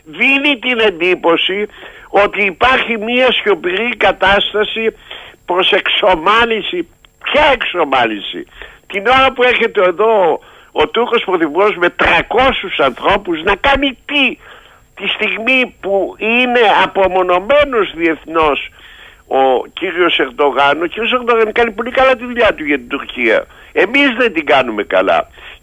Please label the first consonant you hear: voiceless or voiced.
voiced